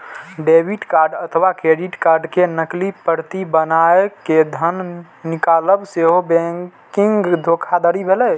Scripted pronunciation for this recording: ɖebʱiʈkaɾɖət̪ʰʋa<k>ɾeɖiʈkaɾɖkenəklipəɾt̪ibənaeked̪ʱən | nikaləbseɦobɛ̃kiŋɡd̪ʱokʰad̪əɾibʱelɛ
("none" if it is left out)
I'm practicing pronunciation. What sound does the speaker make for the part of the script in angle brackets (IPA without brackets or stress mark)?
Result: k